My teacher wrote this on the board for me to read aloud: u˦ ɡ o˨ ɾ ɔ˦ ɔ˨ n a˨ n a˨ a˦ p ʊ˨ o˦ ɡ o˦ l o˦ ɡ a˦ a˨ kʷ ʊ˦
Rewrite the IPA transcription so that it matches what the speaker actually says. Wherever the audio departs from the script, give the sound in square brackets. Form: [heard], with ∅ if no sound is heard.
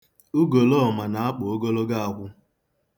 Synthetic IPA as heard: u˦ ɡ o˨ [l] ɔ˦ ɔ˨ [m] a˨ n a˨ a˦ [k͡p] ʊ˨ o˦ ɡ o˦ l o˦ ɡ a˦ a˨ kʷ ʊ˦